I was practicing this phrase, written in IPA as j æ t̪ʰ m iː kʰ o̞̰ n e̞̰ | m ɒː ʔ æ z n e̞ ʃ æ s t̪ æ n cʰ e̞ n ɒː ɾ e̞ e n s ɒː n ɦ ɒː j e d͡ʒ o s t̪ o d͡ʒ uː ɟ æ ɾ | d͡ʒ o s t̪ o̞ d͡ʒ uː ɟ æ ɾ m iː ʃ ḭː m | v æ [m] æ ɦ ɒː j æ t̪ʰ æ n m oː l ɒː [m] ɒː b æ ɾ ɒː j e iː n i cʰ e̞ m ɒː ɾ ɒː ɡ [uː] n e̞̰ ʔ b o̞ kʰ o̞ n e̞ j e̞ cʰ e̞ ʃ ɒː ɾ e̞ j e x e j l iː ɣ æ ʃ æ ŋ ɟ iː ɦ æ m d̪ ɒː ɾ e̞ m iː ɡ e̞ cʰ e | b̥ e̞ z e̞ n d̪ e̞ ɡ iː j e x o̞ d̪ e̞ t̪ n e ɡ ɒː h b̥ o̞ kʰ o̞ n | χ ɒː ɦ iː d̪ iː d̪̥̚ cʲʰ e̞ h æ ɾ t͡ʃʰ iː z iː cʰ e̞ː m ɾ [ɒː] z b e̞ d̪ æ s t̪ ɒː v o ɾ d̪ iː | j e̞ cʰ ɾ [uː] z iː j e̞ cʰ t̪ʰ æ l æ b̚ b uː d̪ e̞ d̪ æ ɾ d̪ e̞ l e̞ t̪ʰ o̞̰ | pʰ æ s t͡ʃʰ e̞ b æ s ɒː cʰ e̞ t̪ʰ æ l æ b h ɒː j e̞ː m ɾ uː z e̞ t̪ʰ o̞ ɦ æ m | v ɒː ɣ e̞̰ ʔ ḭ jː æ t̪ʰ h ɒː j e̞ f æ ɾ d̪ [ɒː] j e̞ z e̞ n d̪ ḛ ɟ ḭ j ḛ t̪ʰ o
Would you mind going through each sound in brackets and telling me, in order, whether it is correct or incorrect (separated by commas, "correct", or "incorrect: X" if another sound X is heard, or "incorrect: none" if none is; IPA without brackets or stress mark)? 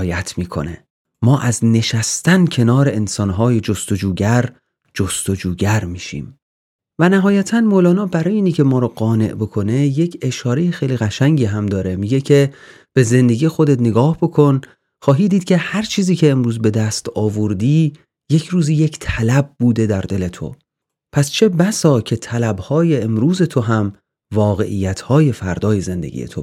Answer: incorrect: n, incorrect: n, incorrect: ɒː, incorrect: uː, correct, correct